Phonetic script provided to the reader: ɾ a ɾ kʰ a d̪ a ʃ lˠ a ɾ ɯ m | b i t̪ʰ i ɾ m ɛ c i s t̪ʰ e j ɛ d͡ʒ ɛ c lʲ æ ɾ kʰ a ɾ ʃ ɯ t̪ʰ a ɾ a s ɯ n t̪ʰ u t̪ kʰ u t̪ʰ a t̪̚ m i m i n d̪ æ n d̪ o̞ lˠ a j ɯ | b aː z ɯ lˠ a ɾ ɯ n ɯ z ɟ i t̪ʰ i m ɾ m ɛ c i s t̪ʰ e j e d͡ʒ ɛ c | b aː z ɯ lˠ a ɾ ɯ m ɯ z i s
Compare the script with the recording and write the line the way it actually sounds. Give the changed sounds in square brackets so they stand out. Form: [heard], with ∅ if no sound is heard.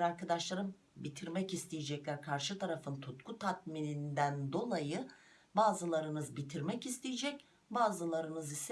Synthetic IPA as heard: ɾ a ɾ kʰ a d̪ a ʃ lˠ a ɾ ɯ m | b i t̪ʰ i ɾ m ɛ c i s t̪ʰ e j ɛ d͡ʒ ɛ c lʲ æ ɾ kʰ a ɾ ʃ ɯ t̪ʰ a ɾ a [f] ɯ n t̪ʰ u t̪ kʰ u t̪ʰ a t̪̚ m i [n] i n d̪ æ n d̪ o̞ lˠ a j ɯ | b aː z ɯ lˠ a ɾ ɯ n ɯ z [b] i t̪ʰ i [∅] ɾ m ɛ c i s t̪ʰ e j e d͡ʒ ɛ c | b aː z ɯ lˠ a ɾ ɯ [n] ɯ z i s